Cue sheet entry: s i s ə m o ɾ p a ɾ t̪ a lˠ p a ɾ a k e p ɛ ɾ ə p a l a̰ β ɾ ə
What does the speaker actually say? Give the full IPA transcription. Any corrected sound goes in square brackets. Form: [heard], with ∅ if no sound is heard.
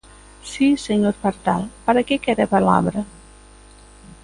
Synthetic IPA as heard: s i s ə [ɲ] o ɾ p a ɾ t̪ a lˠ p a ɾ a k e [k] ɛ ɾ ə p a l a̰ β ɾ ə